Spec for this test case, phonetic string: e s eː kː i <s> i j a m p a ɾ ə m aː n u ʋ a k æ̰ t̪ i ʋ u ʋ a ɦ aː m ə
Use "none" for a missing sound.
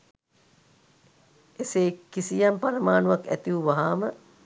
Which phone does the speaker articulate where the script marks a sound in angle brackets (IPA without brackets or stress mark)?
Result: s